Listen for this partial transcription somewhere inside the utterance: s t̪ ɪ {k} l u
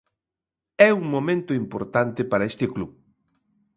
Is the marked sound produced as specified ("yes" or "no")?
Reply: yes